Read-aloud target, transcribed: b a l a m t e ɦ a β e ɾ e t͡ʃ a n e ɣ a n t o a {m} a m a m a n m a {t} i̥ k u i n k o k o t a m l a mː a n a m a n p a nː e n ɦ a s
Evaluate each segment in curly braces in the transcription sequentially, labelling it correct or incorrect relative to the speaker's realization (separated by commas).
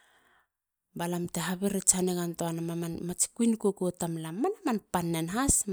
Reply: incorrect, incorrect